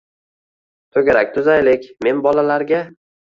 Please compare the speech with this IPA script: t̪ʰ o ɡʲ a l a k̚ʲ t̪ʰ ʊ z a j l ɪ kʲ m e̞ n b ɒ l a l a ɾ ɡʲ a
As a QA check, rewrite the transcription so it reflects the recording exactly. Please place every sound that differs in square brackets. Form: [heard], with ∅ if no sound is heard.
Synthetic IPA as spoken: t̪ʰ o ɡʲ a [ɾ] a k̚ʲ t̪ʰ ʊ z a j l ɪ kʲ m e̞ n b ɒ l a l a ɾ ɡʲ a